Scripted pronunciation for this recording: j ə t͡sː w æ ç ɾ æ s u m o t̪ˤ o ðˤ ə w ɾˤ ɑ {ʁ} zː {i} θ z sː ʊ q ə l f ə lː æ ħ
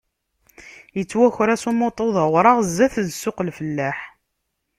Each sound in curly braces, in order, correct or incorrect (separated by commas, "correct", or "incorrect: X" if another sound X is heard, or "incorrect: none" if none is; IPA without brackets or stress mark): correct, incorrect: æ